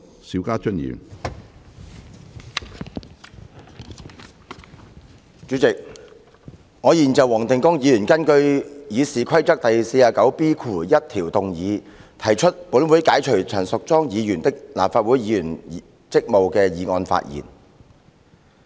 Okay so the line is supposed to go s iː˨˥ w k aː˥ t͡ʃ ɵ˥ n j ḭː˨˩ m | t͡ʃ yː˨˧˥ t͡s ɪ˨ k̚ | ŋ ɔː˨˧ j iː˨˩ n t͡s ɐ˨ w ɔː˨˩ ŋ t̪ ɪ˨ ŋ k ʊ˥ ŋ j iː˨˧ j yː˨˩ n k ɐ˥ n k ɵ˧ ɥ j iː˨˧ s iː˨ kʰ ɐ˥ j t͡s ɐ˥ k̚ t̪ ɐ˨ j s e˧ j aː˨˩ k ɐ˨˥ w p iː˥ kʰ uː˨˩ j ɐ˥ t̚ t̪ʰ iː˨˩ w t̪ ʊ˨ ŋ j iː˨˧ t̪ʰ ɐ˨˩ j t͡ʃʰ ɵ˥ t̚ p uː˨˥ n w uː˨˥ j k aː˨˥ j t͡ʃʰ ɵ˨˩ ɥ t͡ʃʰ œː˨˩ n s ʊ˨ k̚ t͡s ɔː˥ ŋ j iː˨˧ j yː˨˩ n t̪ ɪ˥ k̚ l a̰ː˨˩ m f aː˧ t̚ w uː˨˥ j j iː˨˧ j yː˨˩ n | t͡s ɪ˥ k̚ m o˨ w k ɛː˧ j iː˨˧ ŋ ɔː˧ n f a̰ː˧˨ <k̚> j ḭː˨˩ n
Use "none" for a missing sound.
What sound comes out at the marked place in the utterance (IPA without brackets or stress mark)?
t̚